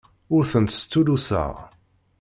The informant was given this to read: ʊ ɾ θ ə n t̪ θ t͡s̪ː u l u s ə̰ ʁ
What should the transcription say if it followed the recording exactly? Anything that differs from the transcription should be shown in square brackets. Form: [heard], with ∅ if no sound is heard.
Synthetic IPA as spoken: ʊ ɾ θ ə n t̪ [s] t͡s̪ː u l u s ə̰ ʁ